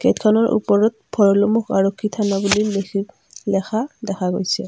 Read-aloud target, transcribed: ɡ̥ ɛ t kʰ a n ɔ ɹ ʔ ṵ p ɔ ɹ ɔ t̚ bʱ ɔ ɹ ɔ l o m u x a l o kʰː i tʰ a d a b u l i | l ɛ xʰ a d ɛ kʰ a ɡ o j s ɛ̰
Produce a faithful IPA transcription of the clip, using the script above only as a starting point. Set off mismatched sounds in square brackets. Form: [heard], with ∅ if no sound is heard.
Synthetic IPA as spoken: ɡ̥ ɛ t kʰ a n ɔ ɹ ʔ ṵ p ɔ ɹ ɔ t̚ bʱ ɔ ɹ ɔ l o m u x a [ɹ] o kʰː i tʰ a [n] a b u l i | l ɛ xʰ a d ɛ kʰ a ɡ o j s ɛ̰